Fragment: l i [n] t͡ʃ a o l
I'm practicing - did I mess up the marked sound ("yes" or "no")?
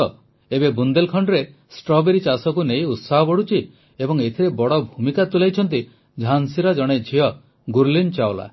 no